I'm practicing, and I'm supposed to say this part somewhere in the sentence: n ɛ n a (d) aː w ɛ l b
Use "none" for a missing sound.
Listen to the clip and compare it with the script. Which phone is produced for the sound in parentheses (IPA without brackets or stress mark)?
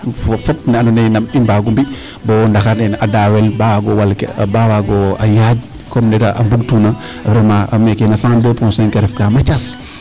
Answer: d